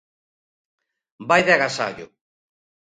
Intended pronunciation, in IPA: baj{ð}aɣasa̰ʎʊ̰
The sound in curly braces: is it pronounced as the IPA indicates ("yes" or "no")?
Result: yes